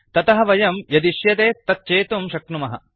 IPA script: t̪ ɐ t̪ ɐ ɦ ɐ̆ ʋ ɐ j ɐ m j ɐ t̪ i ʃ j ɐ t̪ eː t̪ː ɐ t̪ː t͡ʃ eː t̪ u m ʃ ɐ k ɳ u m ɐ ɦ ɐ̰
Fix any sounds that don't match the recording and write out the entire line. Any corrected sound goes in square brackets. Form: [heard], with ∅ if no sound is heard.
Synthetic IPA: t̪ ɐ t̪ ɐ ɦ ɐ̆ ʋ ɐ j ɐ m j ɐ [d̪] i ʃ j ɐ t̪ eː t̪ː ɐ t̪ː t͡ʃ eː t̪ u m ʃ ɐ k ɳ u m ɐ ɦ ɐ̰